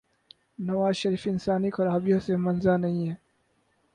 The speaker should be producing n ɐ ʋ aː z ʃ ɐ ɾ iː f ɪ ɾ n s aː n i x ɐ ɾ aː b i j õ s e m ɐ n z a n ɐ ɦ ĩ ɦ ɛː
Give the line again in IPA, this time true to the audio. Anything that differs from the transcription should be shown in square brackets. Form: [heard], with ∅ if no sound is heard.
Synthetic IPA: n ɐ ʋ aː z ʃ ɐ ɾ iː f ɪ [∅] n s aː n i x ɐ ɾ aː b i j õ s e m ɐ n z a n ɐ ɦ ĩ ɦ ɛː